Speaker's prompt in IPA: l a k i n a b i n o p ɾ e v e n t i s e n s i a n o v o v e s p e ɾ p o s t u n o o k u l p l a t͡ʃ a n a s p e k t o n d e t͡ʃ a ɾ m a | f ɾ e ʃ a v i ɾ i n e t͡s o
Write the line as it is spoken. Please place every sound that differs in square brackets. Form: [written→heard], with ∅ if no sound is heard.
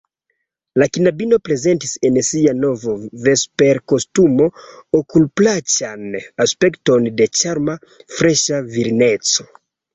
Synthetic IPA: l a k i n a b i n o p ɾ e [v→z] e n t i s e n s i a n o v o v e s p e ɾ [p→k] o s t u [n→m] o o k u l p l a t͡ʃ a n a s p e k t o n d e t͡ʃ a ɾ m a | f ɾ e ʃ a v i ɾ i n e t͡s o